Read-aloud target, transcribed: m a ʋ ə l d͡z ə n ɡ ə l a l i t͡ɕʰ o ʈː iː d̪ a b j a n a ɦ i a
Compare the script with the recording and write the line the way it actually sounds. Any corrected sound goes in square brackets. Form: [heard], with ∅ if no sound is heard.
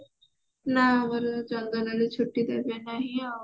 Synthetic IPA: [n] a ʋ ə [ɾ] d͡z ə [ŋ] ɡ ə l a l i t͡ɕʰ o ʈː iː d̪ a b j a n a ɦ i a

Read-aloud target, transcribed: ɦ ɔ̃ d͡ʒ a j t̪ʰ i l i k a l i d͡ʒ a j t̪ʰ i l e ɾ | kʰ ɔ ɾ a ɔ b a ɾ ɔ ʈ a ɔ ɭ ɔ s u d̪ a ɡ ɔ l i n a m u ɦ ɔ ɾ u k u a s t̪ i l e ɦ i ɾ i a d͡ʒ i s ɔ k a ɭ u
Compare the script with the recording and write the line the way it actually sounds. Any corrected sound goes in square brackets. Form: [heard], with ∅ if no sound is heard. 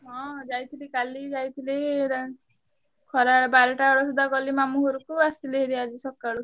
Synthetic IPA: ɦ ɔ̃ d͡ʒ a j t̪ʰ i l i k a l i d͡ʒ a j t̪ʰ i l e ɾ | kʰ ɔ ɾ a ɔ b a ɾ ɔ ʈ a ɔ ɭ ɔ s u d̪ a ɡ ɔ l i [m] a m u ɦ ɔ ɾ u k u a s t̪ i l e ɦ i ɾ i a d͡ʒ i s ɔ k a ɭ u

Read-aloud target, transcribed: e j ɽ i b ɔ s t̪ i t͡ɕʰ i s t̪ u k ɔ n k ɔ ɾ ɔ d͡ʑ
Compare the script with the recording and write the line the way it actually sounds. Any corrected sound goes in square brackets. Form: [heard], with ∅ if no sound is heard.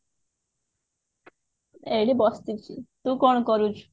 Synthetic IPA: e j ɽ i b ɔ s t̪ i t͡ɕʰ i [∅] t̪ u k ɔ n k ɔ ɾ [u] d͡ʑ

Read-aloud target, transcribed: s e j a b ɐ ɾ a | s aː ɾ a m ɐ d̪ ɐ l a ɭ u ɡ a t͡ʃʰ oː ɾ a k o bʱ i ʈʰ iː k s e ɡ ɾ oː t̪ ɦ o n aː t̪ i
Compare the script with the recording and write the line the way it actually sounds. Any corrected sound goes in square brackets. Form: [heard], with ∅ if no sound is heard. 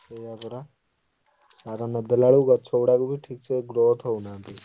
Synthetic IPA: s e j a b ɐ ɾ a | s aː ɾ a [n] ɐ d̪ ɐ l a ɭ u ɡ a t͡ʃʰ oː [ɽ] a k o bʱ i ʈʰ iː k s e ɡ ɾ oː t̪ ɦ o n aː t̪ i

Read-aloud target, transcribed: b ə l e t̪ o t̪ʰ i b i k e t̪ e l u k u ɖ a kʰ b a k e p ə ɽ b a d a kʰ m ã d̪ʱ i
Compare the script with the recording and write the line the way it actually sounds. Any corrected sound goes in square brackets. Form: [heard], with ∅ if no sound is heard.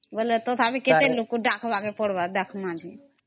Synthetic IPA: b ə l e t̪ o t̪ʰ [a] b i k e t̪ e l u k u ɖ a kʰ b a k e p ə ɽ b a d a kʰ m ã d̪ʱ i

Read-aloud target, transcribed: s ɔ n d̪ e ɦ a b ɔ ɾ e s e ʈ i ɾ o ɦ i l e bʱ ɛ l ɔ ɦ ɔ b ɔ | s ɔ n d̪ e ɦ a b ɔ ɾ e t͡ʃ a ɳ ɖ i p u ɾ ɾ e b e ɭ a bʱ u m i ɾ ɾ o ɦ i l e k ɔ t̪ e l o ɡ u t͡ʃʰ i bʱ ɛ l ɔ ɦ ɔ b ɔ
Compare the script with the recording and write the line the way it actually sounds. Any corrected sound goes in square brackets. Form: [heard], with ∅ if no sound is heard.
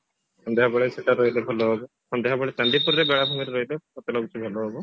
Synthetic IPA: s ɔ n d̪ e ɦ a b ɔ [ɭ] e s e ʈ [a] ɾ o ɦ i l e bʱ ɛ l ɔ ɦ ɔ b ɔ | s ɔ n d̪ e ɦ a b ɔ [ɭ] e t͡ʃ a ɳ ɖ i p u ɾ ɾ e b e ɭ a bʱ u m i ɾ ɾ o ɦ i l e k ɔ t̪ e l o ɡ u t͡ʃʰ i bʱ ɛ l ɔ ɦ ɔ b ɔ

